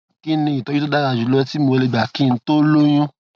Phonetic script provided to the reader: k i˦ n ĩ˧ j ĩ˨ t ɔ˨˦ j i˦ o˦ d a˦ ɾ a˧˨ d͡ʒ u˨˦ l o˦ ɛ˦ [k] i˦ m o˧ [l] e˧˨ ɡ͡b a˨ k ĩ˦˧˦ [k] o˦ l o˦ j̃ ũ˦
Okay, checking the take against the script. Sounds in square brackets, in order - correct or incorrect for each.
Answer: incorrect, correct, incorrect

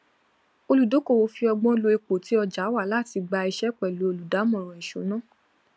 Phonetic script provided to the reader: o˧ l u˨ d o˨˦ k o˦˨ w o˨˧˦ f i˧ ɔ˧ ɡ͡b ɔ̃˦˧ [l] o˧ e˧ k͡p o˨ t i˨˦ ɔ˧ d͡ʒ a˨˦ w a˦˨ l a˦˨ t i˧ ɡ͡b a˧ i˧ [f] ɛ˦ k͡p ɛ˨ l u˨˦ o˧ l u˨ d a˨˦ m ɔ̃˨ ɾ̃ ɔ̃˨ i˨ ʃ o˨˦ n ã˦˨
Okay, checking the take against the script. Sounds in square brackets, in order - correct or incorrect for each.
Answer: correct, incorrect

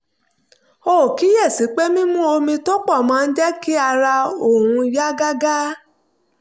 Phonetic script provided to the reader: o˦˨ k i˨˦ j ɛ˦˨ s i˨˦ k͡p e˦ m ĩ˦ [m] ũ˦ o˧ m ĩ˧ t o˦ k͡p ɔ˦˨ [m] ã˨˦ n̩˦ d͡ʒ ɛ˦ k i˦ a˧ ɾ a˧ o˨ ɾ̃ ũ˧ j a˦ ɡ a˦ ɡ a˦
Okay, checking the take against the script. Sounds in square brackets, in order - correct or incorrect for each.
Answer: correct, correct

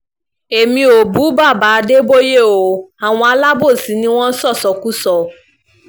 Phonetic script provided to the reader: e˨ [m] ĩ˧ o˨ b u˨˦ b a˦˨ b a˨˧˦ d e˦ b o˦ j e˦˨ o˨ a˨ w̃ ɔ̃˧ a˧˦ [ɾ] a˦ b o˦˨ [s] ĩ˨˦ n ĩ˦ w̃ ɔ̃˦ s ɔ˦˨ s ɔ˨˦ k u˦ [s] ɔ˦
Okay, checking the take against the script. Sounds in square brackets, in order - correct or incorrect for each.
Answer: correct, incorrect, correct, correct

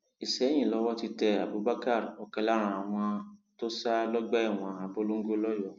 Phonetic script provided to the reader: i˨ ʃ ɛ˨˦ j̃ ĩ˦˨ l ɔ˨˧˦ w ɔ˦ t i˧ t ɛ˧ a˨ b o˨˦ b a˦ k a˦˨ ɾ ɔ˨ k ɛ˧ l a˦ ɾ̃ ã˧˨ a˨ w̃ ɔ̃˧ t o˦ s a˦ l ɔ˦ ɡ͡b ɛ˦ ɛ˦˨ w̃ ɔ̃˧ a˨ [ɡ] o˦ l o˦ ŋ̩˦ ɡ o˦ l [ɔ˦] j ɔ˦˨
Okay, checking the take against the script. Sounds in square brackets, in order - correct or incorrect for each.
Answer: incorrect, correct

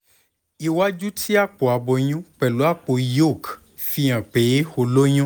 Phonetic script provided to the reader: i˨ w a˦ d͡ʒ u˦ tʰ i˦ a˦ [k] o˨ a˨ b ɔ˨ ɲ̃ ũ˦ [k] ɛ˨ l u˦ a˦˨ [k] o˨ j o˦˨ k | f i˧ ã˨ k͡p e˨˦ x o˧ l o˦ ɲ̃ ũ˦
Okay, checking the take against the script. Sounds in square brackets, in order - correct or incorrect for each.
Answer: incorrect, incorrect, incorrect

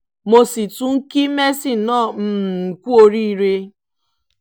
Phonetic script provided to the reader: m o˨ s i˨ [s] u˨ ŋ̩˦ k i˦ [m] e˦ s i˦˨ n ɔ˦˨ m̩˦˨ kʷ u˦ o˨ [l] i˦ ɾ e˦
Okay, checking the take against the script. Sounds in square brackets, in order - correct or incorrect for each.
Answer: incorrect, correct, incorrect

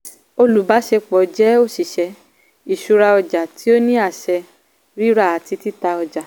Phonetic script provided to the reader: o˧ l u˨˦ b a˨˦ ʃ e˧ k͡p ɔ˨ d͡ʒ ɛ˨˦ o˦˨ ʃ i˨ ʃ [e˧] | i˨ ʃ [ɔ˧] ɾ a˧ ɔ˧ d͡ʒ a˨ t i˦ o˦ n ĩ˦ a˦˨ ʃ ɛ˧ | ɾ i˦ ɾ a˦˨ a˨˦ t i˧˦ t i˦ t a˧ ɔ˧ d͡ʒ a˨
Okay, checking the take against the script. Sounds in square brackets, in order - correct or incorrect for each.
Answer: incorrect, incorrect

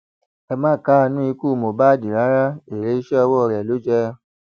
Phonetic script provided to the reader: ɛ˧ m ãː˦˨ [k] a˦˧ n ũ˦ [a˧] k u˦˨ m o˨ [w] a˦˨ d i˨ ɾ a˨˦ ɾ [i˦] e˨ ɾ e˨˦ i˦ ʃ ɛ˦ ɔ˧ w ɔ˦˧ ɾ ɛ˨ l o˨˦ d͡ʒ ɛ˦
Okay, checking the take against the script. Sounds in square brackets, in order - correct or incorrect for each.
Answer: correct, incorrect, incorrect, incorrect

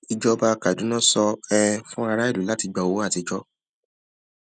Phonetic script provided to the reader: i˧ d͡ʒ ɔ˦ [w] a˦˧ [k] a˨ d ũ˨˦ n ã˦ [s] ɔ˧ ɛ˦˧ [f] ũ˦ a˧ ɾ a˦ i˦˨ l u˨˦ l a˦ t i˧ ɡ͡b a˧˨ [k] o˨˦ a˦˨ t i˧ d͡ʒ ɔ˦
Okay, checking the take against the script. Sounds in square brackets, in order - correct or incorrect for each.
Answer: incorrect, correct, correct, correct, incorrect

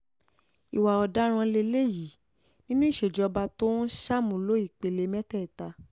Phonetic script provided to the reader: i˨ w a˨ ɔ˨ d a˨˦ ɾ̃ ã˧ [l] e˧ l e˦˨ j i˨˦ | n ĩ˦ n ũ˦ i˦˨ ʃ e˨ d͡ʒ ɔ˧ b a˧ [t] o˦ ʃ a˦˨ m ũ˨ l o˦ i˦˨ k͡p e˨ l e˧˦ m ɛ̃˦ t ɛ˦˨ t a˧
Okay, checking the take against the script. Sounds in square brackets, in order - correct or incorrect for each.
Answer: correct, correct

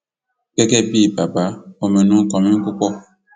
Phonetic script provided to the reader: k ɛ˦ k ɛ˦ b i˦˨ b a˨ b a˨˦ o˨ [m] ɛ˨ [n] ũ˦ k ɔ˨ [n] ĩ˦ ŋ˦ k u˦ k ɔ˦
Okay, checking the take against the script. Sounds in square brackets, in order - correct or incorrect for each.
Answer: correct, correct, incorrect

